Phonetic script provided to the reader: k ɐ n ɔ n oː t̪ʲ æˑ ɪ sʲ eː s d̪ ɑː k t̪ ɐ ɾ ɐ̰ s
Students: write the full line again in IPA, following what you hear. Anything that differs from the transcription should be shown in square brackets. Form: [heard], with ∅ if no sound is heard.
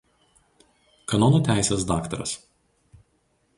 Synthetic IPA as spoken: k ɐ n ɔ n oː t̪ʲ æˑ ɪ sʲ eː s d̪ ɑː k t̪ ɐ ɾ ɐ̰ s